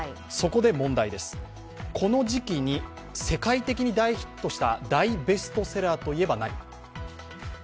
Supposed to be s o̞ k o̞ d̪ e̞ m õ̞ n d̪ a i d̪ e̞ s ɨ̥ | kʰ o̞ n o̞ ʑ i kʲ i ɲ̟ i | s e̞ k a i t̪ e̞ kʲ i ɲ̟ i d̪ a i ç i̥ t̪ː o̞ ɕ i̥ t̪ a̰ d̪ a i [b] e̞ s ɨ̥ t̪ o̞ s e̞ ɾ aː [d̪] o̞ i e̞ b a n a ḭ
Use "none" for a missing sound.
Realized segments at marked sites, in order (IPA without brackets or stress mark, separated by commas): b, t̪